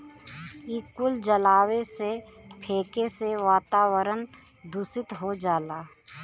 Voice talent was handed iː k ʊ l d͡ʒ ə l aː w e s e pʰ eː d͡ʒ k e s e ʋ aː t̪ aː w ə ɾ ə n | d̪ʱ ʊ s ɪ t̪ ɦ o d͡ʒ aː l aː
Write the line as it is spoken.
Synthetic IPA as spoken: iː k ʊ l d͡ʒ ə l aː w e s e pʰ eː k e s e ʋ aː t̪ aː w ə ɾ ə n | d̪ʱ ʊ s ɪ t̪ ɦ o d͡ʒ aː l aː